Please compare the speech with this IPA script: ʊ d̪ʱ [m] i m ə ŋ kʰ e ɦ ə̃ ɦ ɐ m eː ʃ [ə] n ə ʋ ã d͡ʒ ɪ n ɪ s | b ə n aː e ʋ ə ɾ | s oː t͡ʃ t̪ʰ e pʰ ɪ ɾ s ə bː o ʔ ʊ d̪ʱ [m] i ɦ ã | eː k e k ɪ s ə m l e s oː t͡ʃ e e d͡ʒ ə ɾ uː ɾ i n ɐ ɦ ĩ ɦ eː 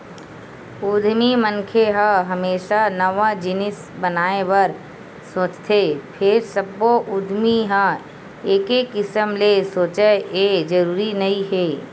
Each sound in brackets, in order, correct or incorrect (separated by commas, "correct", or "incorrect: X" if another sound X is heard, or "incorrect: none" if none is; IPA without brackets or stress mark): correct, incorrect: a, correct